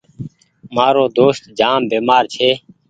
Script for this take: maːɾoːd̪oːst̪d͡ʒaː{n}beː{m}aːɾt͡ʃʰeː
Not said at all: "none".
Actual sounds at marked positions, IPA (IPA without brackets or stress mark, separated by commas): m, m